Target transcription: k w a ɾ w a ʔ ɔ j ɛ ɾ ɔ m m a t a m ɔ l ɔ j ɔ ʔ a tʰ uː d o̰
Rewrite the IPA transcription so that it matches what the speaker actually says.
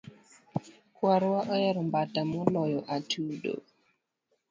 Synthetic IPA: k w a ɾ w a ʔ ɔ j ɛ ɾ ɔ m b a t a m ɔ l ɔ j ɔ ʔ a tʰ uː d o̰